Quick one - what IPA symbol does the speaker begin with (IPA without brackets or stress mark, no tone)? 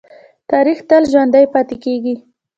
t̪